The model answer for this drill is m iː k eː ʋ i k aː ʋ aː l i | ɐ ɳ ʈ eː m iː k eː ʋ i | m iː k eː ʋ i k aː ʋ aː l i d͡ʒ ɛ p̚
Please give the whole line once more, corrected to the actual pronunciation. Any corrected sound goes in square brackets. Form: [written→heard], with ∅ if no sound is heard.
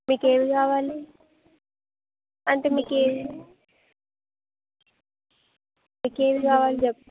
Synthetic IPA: m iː k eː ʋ i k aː ʋ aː l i | ɐ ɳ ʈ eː m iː k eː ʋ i | m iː k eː ʋ i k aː ʋ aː l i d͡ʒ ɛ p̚

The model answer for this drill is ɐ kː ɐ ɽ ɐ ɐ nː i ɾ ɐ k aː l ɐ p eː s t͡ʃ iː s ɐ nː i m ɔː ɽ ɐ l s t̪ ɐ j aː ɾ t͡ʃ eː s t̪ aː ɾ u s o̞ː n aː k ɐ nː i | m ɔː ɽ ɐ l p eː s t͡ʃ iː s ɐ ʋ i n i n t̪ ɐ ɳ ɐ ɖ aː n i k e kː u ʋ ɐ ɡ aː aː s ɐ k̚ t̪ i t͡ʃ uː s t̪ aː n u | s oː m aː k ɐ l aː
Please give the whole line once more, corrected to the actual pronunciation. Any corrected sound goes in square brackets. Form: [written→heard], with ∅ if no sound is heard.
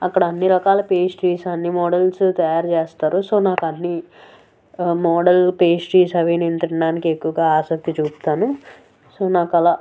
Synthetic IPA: ɐ kː ɐ ɽ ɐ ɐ nː i ɾ ɐ k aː l ɐ p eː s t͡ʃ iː s ɐ nː i m ɔː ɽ ɐ l s t̪ ɐ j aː ɾ t͡ʃ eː s t̪ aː ɾ u s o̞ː n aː k ɐ nː i | m ɔː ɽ ɐ l p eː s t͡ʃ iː s ɐ ʋ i n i n t̪ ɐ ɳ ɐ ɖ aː n i k e kː u ʋ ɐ ɡ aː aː s ɐ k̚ t̪ i t͡ʃ uː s t̪ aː n u | s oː [m→n] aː k ɐ l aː

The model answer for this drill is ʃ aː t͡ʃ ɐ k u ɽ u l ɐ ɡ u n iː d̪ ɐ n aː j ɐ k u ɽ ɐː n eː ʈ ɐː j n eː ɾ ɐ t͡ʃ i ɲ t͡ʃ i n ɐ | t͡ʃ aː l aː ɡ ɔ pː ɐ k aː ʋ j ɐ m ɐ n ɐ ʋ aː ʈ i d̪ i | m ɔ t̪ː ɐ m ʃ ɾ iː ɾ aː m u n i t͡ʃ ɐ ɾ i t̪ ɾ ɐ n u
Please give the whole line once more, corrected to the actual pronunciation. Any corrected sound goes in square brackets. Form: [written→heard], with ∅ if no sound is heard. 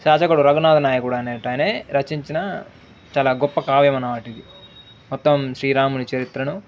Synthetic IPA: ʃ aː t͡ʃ ɐ k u ɽ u [l→ɾ] ɐ ɡ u n [iː→aː] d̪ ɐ n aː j ɐ k u ɽ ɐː n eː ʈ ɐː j n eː ɾ ɐ t͡ʃ i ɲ t͡ʃ i n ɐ | t͡ʃ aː l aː ɡ ɔ pː ɐ k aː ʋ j ɐ m ɐ n ɐ ʋ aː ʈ i d̪ i | m ɔ t̪ː ɐ m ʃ ɾ iː ɾ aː m u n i t͡ʃ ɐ ɾ i t̪ ɾ ɐ n u

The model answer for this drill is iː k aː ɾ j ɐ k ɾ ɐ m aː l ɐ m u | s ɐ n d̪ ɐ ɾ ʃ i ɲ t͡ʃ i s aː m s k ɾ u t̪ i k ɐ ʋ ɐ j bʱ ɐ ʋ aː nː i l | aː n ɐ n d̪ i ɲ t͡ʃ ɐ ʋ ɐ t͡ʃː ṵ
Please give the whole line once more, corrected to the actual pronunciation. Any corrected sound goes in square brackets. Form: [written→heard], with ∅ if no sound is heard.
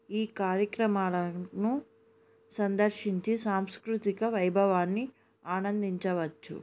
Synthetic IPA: iː k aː ɾ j ɐ k ɾ ɐ m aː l ɐ [m→n] u | s ɐ n d̪ ɐ ɾ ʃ i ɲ t͡ʃ i s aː m s k ɾ u t̪ i k ɐ ʋ ɐ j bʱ ɐ ʋ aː nː i [l→∅] | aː n ɐ n d̪ i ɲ t͡ʃ ɐ ʋ ɐ t͡ʃː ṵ

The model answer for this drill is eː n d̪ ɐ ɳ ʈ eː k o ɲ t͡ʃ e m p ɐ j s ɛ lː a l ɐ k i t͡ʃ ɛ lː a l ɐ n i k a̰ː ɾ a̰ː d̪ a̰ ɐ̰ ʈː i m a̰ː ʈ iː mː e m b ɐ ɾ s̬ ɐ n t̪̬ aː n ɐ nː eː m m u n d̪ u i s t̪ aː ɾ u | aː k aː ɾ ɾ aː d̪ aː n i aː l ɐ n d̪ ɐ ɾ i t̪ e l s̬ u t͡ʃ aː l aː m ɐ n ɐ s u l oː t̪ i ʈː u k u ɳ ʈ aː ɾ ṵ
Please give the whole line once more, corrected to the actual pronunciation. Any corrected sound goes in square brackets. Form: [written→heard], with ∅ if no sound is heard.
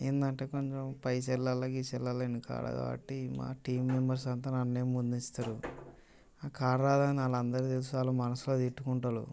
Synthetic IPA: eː n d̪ ɐ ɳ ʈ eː k o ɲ t͡ʃ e m p ɐ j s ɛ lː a l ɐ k i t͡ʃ ɛ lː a l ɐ n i k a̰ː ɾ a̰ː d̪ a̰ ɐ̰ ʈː i m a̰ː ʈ iː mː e m b ɐ ɾ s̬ ɐ n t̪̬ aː n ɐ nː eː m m u n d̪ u i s t̪ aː ɾ u | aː k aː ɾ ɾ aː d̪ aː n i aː l ɐ n d̪ ɐ ɾ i t̪ e l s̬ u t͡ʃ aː l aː m ɐ n ɐ s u l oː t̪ i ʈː u k u ɳ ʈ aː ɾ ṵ

